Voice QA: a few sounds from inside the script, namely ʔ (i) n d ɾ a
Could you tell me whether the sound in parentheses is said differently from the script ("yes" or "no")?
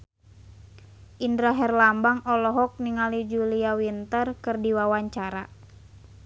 no